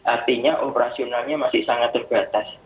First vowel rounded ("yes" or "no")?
no